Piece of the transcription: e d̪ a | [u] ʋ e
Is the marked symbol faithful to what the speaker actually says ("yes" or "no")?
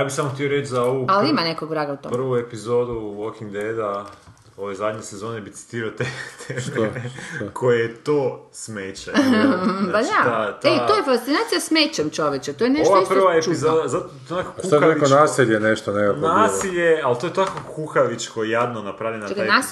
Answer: no